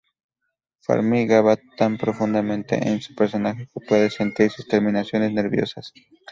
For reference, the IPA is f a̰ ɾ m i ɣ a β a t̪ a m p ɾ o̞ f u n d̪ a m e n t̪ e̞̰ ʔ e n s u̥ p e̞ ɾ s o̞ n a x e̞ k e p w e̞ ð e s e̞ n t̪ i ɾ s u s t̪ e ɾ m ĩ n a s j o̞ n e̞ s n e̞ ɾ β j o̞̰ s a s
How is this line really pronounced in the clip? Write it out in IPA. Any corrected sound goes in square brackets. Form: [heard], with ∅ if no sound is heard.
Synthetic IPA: f a̰ ɾ m i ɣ a β a t̪ a m p ɾ o̞ f u n d̪ a m [ẽ] n t̪ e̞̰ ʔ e n s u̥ p e̞ ɾ s o̞ n a x e̞ k e p w e̞ ð e s e̞ n t̪ i ɾ s u s t̪ e ɾ m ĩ n a s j o̞ n e̞ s n e̞ ɾ β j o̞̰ s a s